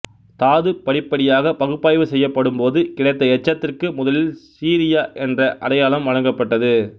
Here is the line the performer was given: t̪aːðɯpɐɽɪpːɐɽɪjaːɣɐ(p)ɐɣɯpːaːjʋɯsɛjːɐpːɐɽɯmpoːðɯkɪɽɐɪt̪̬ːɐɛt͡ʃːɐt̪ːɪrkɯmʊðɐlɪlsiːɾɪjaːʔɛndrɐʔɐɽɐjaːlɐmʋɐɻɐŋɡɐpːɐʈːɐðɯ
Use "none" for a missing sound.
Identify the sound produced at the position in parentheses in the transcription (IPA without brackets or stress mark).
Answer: p